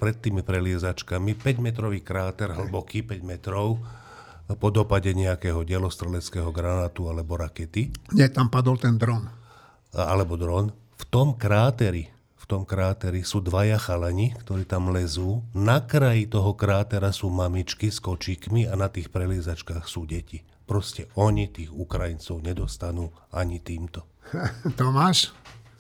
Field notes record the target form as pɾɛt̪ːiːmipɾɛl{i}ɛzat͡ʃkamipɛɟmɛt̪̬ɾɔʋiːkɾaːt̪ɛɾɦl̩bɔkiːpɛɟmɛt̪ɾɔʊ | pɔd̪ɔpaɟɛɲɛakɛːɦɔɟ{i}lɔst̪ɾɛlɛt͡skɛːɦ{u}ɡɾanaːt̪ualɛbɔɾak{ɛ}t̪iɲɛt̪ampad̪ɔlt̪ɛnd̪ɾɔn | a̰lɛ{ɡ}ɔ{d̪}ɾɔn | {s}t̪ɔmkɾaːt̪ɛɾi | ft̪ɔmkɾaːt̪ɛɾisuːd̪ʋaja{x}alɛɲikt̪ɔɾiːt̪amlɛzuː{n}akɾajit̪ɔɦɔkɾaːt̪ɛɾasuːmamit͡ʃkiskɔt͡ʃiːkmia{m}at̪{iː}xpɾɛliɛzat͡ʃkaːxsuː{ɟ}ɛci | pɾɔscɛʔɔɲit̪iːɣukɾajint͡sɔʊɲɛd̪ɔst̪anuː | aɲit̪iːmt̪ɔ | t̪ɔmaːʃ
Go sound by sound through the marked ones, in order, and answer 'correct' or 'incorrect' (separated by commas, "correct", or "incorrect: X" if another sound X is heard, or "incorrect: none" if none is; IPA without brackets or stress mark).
incorrect: ɪ, incorrect: ɛ, incorrect: ɔ, correct, incorrect: b, correct, incorrect: f, correct, correct, incorrect: n, correct, correct